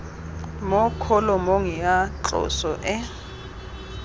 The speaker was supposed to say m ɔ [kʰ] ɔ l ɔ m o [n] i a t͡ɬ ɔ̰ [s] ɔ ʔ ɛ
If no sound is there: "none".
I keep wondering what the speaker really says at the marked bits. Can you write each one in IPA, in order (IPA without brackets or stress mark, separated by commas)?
kʰ, ŋ, s